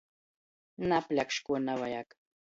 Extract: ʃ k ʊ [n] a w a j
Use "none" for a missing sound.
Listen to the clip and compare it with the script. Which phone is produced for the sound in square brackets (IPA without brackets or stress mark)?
n